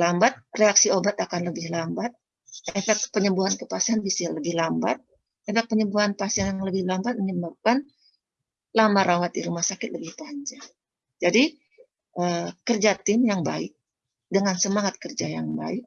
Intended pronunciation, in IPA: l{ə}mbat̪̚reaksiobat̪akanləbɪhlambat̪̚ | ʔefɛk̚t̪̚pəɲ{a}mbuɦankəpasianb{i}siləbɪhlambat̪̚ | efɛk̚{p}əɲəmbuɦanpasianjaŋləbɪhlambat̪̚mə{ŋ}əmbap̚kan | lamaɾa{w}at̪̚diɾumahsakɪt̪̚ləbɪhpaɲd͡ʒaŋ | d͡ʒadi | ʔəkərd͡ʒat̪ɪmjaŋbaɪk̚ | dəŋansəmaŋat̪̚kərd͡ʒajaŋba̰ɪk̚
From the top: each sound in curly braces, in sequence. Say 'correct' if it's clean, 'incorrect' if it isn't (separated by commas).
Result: incorrect, incorrect, correct, correct, incorrect, correct